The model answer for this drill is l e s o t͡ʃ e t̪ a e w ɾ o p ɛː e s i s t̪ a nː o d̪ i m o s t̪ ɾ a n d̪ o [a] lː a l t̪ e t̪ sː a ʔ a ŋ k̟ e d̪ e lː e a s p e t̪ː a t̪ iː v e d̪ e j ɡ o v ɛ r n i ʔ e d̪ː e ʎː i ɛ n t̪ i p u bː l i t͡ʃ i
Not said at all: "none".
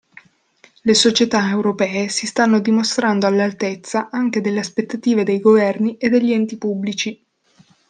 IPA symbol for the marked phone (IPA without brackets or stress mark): a